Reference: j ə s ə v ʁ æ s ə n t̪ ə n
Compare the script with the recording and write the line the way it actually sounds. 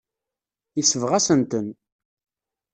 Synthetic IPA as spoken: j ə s ə v ʁ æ s ə n t̪ ə n